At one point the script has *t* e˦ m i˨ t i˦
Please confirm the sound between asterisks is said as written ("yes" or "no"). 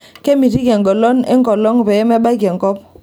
no